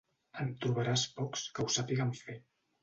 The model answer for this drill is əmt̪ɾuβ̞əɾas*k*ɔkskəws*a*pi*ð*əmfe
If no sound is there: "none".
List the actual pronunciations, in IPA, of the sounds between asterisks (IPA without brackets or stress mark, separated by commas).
p, a, ɣ